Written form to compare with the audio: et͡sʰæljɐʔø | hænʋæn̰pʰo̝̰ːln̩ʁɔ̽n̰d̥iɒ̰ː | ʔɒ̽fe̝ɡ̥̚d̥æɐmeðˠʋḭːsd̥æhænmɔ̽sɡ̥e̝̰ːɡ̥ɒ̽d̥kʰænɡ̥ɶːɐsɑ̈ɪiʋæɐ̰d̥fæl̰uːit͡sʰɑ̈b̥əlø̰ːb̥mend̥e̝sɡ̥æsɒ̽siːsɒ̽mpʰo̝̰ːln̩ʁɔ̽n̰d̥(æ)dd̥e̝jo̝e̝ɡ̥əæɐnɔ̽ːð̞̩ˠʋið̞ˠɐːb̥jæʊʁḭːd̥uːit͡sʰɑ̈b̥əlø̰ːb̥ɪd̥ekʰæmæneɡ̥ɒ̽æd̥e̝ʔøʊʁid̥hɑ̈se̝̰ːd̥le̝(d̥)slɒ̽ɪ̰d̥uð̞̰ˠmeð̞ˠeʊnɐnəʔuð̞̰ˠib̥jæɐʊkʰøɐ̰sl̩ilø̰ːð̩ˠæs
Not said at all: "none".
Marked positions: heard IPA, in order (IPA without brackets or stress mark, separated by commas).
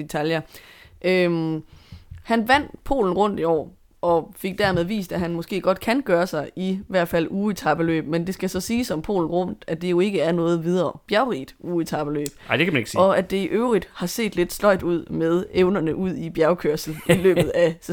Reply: æ, d̥